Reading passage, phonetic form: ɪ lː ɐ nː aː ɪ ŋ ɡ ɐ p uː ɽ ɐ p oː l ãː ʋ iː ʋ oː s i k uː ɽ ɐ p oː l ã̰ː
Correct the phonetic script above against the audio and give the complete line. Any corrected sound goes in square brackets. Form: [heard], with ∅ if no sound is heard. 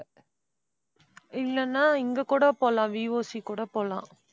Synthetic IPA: ɪ lː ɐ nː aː ɪ ŋ ɡ ɐ [k] uː ɽ ɐ p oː l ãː ʋ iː ʋ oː s i k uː ɽ ɐ p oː l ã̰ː